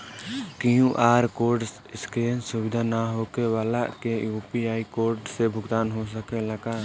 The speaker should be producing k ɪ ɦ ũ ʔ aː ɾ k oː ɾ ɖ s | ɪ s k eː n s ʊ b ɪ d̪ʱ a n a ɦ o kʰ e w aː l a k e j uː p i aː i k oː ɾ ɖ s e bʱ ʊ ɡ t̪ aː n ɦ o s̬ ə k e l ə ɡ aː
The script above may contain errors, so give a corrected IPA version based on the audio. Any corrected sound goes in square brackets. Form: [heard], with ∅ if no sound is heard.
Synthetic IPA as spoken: k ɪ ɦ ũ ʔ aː ɾ k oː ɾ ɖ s | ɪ s k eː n s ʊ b ɪ d̪ʱ a n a ɦ o [k] e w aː l a k e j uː p i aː i k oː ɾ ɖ s e bʱ ʊ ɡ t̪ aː n ɦ o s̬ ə k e l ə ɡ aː